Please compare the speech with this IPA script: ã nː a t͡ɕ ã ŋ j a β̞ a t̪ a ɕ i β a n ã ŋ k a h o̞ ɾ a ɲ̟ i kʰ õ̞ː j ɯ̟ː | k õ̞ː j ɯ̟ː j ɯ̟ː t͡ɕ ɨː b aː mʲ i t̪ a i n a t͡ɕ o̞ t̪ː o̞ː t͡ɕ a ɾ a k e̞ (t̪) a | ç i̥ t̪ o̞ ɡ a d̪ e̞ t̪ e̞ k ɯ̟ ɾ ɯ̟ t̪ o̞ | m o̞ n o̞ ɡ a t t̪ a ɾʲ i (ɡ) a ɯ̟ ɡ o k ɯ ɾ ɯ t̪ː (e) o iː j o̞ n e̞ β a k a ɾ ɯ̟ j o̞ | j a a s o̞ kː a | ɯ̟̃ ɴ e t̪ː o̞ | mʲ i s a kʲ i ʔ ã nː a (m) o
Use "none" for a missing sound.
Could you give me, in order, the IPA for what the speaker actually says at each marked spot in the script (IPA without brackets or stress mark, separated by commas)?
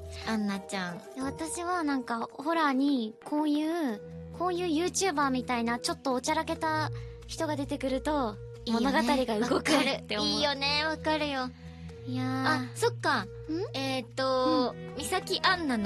t̪, ɡ, e, n